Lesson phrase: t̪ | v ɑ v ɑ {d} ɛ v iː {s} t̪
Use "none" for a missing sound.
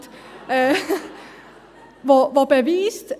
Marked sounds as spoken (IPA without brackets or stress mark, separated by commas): b, s